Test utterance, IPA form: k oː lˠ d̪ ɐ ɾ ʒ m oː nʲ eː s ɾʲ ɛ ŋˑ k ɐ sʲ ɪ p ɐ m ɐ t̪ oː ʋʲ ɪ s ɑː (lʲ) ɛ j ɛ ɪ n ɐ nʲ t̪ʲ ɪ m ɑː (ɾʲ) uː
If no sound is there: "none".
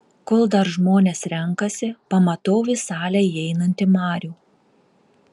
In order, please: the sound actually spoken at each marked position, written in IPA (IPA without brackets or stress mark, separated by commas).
lʲ, ɾʲ